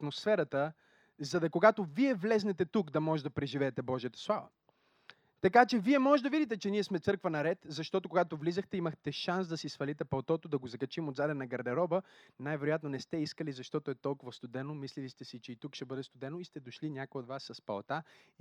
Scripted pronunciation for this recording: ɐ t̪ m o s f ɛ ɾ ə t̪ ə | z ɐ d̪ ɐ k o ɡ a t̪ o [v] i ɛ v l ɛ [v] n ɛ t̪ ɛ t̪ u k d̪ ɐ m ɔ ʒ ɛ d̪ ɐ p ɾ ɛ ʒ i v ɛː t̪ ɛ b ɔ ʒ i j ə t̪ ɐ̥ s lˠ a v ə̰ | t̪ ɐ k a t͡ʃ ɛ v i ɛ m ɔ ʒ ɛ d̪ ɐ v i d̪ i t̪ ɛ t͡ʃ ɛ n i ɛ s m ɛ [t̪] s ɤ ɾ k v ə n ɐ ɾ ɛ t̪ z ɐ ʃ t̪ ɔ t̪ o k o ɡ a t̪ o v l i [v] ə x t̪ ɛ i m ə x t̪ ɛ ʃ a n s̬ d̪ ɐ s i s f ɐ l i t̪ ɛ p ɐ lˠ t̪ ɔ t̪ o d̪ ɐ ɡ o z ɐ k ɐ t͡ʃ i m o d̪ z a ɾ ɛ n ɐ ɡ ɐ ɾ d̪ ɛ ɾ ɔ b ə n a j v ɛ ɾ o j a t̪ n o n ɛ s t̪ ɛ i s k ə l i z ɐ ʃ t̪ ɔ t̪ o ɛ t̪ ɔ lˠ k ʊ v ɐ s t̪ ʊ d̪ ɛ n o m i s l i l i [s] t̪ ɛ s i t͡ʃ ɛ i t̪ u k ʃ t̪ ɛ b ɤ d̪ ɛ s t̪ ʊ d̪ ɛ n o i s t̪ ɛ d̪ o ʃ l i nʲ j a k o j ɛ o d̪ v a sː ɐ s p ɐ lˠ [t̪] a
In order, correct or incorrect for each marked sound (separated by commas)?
correct, incorrect, correct, incorrect, correct, correct